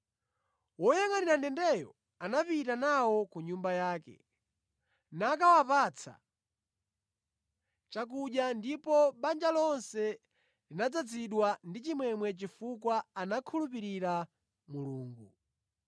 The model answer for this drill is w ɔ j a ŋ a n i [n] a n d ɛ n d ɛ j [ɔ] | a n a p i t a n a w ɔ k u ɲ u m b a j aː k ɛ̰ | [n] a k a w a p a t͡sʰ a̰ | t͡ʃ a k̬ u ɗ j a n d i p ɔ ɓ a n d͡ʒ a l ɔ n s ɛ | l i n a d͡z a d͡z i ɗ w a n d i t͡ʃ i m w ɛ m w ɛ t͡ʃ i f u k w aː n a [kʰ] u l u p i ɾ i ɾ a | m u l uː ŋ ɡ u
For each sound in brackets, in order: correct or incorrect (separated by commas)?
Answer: correct, correct, correct, correct